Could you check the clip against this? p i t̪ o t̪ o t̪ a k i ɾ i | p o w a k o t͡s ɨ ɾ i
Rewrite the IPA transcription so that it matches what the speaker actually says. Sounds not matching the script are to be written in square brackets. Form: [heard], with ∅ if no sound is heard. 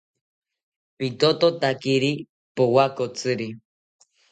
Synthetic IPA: p i t̪ o t̪ o t̪ a k i ɾ i | p o w a k o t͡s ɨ ɾ i